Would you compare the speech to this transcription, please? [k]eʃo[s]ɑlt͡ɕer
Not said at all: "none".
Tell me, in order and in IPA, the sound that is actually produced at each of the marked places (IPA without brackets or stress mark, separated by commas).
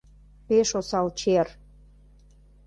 p, s